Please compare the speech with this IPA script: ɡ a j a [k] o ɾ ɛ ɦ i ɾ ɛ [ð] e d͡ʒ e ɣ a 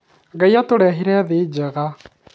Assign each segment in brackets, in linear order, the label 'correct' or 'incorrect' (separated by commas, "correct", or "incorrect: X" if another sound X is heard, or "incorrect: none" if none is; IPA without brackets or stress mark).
incorrect: t, correct